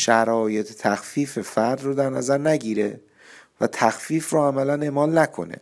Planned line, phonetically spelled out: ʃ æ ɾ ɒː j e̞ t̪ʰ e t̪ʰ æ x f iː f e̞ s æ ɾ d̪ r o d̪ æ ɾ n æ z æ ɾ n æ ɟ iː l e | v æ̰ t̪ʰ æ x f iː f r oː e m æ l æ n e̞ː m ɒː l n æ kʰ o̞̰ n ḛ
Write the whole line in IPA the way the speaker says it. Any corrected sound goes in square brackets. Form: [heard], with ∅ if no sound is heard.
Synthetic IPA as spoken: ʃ æ ɾ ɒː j e̞ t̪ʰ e t̪ʰ æ x f iː f e̞ [f] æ ɾ d̪ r o d̪ æ ɾ n æ z æ ɾ n æ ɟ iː [ɾ] e | v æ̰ t̪ʰ æ x f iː f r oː [æ] m æ l æ n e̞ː m ɒː l n æ kʰ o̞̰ n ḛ